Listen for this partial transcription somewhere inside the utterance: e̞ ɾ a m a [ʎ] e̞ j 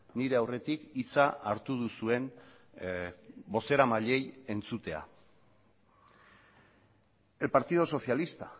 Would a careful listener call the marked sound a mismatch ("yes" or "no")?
no